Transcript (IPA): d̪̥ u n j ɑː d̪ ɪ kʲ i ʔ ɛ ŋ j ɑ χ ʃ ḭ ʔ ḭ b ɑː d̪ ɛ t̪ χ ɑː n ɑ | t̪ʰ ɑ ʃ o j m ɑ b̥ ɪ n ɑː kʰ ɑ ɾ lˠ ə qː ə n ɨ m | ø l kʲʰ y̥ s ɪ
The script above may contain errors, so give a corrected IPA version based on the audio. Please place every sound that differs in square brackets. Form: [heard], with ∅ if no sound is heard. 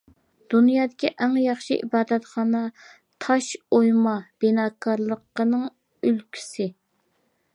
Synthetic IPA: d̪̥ u n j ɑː d̪ ɪ kʲ i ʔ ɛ ŋ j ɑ χ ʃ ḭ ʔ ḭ b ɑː d̪ ɛ t̪ χ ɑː n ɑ | t̪ʰ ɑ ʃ o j m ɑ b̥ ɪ n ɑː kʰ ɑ ɾ lˠ ə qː ə n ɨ [ŋ] | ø l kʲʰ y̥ s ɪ